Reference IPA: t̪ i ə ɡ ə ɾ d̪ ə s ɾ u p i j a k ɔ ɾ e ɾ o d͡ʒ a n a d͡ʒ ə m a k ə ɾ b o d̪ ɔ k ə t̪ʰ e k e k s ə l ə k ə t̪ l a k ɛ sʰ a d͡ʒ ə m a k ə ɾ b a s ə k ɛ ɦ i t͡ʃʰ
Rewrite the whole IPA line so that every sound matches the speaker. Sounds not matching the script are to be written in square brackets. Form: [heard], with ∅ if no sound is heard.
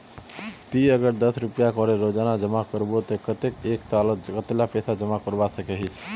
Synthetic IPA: t̪ i ə ɡ ə ɾ d̪ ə s ɾ u p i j a k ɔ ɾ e ɾ o d͡ʒ a n a d͡ʒ ə m a k ə ɾ b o [t̪] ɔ k ə [t̪] e k e k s [a] l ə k ə t̪ l a [p] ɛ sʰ a d͡ʒ ə m a k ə ɾ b a s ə k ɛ ɦ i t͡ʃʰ